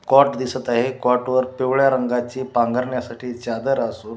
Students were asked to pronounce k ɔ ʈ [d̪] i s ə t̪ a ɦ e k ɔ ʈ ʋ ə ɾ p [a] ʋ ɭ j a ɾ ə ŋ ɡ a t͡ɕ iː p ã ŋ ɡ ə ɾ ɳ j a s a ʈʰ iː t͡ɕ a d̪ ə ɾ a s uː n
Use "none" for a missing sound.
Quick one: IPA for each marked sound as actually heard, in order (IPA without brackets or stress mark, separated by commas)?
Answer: d̪, e